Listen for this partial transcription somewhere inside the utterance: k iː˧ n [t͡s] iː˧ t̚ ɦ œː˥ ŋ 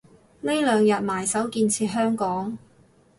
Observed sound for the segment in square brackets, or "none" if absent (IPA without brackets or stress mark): t͡sʰ